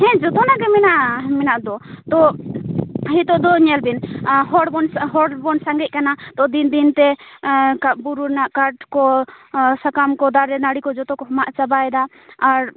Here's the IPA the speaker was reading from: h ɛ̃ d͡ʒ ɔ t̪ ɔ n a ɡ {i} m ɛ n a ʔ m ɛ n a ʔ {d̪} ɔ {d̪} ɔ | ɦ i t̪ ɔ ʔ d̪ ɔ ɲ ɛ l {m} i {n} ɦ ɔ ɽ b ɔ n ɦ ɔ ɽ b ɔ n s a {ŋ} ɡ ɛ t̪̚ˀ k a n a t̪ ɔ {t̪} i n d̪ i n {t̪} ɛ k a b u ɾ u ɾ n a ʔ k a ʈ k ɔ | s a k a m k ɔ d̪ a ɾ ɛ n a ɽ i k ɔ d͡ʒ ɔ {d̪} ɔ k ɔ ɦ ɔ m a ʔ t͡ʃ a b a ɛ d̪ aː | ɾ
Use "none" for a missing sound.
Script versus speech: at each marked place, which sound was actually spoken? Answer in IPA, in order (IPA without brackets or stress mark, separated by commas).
ɛ, d̪, t̪, b, n, ŋ, d̪, t̪, t̪